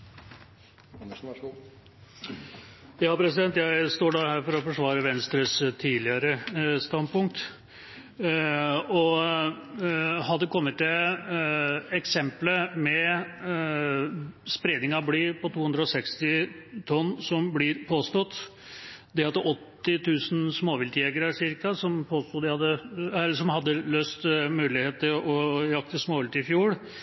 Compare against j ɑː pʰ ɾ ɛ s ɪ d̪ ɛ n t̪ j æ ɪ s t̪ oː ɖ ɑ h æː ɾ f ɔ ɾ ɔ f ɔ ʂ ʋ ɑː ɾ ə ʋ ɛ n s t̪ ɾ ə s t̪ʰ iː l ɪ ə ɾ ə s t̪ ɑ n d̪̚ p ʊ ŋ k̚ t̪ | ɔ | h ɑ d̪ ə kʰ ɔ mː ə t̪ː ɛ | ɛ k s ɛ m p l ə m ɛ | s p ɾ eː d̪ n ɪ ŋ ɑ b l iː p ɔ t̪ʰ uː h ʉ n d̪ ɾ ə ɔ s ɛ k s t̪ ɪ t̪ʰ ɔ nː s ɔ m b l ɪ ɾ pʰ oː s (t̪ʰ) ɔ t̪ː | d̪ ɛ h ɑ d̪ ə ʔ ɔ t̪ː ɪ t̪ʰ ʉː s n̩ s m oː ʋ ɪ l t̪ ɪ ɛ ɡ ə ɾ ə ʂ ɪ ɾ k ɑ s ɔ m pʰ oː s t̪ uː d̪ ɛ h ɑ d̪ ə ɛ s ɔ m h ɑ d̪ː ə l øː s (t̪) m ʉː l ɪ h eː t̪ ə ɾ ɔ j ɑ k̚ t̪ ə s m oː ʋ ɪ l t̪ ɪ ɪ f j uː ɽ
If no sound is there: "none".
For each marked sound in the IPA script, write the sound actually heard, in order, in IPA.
t̪, t̪

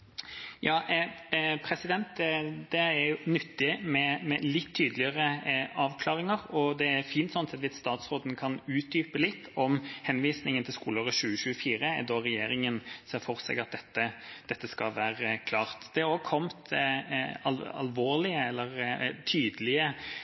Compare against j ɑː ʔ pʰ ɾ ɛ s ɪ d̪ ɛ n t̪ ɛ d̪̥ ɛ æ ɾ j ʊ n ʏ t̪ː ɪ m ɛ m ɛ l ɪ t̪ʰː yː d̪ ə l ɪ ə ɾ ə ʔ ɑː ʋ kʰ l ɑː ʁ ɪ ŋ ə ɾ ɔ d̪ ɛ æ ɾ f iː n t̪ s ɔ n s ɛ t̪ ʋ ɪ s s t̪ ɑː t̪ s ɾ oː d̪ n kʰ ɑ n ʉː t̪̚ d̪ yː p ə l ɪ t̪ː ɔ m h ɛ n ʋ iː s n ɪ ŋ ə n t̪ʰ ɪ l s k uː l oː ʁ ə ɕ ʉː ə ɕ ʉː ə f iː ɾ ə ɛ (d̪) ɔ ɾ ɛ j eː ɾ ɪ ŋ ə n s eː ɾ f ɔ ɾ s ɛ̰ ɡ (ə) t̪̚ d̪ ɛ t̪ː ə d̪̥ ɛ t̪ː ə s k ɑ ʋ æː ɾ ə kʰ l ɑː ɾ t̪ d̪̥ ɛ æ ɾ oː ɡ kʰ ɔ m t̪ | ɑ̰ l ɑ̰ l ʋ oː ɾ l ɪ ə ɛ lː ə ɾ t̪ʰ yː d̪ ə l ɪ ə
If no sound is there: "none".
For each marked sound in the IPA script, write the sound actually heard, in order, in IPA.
d̪, ɑ

